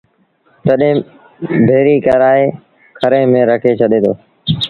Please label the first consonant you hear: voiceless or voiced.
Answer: voiceless